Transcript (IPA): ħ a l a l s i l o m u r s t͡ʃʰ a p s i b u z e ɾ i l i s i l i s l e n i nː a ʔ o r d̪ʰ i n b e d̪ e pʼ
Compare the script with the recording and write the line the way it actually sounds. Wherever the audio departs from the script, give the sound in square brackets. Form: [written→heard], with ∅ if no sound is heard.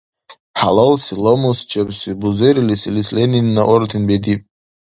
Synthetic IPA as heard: ħ a l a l s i l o m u [r→∅] s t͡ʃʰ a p s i b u z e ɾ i l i s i l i s l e n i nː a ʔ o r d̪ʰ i n b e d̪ [e→i] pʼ